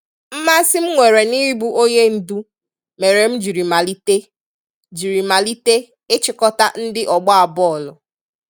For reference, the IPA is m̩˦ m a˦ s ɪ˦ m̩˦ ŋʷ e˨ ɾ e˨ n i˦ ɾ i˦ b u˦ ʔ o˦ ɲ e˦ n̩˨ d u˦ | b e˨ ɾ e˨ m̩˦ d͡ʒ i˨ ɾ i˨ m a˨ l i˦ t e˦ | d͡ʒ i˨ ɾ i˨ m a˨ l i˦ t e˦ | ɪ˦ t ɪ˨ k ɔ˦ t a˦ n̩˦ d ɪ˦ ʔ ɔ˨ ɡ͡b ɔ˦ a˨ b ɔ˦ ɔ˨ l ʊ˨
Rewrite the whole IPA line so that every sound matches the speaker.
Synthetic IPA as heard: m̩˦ m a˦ s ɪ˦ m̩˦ ŋʷ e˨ ɾ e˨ n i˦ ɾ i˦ b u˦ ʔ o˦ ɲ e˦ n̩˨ d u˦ | m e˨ ɾ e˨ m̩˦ d͡ʒ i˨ ɾ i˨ m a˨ l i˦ t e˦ | d͡ʒ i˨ ɾ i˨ m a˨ l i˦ t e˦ | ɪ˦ t͡ʃ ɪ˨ k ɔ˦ t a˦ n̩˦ d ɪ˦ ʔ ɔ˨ ɡ͡b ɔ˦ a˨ b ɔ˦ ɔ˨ l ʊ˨